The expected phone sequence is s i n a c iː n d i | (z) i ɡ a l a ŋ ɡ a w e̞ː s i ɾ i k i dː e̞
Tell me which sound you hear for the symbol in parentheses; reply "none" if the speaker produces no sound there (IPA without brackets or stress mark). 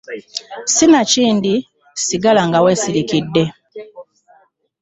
s